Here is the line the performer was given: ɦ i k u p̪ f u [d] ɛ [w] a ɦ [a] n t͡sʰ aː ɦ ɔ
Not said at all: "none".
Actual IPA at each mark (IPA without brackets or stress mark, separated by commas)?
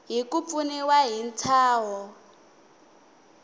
n, w, i